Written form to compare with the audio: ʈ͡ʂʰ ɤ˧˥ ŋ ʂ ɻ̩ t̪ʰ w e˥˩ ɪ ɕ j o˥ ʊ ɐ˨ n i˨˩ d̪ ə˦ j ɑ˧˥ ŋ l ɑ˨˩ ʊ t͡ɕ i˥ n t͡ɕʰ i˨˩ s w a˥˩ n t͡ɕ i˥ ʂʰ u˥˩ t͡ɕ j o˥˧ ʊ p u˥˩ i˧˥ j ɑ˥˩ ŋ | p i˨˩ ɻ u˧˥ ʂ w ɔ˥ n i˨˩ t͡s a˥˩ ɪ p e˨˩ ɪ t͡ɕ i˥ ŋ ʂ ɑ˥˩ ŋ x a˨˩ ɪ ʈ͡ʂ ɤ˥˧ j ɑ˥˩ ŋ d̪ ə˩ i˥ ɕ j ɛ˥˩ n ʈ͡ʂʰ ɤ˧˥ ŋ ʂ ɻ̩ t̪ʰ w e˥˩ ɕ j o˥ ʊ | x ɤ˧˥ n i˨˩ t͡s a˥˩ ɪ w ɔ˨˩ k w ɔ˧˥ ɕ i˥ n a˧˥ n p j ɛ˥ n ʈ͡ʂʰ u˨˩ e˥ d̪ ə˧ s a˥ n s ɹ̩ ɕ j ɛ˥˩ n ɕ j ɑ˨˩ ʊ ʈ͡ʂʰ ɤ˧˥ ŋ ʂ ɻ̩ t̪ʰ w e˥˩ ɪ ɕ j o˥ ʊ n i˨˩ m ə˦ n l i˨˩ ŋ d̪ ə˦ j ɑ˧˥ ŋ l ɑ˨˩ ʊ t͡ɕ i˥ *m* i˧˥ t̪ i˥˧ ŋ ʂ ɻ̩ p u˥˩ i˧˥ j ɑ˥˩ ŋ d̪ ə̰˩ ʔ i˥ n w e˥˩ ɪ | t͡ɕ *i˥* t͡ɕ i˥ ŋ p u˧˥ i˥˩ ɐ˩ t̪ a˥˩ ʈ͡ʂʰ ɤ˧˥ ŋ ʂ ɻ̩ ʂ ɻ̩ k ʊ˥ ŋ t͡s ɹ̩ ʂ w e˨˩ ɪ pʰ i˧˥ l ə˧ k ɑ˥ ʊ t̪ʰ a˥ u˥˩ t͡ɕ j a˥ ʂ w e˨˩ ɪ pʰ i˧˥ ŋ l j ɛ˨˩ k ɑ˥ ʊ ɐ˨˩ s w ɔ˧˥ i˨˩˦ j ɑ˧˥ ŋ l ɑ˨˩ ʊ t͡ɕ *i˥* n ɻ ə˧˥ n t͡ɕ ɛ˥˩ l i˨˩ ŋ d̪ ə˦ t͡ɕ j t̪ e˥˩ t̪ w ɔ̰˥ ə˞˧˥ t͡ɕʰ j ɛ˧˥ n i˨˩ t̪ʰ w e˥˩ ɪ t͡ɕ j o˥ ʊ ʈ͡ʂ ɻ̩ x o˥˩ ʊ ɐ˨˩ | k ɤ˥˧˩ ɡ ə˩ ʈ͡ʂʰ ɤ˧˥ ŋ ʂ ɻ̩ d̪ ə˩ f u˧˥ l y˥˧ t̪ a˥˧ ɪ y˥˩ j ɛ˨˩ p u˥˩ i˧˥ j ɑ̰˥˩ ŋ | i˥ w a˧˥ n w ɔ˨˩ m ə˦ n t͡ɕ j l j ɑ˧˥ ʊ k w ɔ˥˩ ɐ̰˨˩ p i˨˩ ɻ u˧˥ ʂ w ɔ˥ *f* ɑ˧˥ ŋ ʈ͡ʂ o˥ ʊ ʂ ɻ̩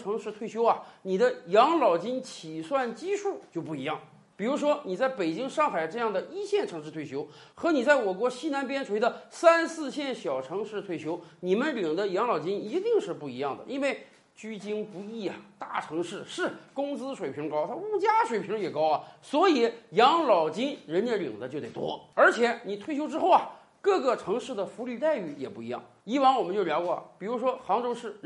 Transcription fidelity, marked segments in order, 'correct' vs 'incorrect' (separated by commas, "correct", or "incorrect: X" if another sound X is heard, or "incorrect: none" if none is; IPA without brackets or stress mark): incorrect: n, incorrect: y˥, correct, incorrect: x